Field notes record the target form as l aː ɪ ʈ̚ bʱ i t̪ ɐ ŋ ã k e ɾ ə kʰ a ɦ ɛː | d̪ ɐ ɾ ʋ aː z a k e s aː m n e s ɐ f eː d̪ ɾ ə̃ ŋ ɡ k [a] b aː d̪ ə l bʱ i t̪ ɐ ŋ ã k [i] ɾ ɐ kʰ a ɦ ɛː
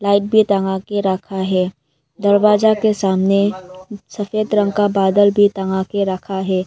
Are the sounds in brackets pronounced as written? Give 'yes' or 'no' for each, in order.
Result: yes, no

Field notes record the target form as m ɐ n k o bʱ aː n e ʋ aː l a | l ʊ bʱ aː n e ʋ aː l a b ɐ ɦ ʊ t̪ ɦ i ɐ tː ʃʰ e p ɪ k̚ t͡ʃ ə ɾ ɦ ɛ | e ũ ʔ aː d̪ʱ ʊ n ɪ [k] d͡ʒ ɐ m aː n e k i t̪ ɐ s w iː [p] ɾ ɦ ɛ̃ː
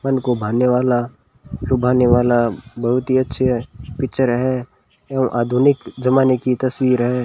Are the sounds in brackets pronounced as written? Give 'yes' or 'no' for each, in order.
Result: yes, no

